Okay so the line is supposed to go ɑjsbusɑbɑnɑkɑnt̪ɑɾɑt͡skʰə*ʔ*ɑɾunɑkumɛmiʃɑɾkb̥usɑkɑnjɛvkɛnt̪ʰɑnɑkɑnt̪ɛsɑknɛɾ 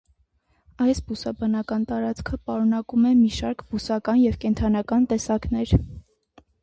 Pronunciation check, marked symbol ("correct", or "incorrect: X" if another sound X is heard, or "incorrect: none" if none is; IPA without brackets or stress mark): incorrect: p